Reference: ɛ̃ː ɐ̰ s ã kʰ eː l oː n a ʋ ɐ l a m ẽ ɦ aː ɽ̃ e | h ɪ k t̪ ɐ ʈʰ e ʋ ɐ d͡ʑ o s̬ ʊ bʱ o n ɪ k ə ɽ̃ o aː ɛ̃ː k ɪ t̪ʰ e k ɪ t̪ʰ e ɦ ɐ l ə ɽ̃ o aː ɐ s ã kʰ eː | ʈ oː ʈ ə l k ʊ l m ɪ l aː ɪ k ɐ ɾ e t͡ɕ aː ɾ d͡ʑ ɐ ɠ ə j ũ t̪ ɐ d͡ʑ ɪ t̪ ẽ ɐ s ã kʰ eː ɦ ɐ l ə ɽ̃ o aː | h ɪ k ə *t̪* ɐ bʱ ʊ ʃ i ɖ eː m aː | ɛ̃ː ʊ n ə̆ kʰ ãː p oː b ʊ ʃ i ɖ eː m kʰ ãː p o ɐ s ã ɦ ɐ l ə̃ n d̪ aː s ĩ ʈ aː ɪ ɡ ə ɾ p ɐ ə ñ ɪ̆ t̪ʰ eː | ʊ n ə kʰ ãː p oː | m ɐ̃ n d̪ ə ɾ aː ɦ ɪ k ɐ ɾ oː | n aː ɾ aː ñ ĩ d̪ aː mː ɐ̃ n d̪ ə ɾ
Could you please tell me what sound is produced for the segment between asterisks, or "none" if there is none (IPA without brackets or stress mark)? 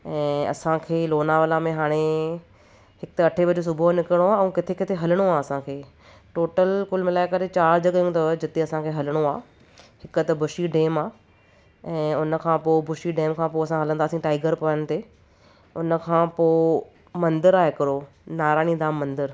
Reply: t̪